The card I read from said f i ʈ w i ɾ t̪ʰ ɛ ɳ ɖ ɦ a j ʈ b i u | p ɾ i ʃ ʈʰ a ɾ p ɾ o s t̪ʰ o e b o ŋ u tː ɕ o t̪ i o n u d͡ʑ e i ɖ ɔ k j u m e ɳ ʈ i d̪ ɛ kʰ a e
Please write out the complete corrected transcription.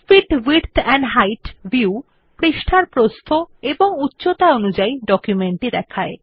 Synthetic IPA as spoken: f i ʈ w i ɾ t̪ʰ ɛ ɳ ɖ ɦ a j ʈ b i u | p ɾ i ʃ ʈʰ a ɾ p ɾ o s t̪ʰ o e b o ŋ u tː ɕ o t̪ a o n u d͡ʑ a i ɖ ɔ k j u m e ɳ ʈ i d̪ ɛ kʰ a e